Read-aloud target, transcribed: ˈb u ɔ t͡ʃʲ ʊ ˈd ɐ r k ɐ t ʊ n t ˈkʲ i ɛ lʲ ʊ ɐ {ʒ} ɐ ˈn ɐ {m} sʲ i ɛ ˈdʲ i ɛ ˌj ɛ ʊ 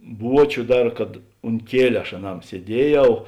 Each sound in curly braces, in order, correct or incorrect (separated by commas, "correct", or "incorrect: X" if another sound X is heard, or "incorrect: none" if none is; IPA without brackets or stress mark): incorrect: ʃ, correct